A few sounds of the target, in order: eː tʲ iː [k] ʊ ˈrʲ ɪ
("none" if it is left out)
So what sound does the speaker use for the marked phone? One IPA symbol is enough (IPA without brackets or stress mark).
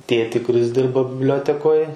k